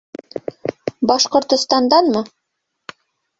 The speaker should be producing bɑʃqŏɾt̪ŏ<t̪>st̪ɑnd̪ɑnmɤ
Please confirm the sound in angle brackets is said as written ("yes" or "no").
no